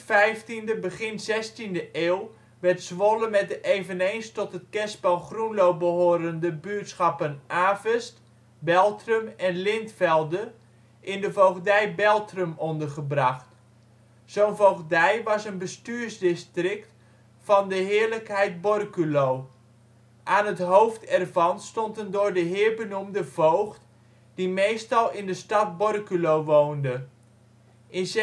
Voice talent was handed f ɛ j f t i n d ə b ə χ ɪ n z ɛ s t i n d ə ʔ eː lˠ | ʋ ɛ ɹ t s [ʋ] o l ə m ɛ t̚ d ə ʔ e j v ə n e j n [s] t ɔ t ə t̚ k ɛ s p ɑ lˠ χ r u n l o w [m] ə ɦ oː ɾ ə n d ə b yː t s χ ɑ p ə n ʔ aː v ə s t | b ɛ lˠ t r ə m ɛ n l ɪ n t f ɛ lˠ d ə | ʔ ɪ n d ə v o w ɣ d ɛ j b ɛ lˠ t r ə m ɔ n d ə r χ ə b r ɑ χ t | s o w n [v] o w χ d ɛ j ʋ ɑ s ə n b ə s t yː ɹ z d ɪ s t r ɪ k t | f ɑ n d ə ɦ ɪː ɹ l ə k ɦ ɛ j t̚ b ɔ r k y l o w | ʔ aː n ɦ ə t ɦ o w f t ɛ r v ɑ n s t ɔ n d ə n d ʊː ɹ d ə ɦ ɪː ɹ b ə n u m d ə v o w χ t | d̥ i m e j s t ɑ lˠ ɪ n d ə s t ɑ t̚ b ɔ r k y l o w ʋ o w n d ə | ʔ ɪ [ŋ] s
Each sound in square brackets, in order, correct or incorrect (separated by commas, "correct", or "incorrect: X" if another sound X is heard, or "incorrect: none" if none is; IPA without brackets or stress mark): correct, correct, incorrect: b, correct, incorrect: n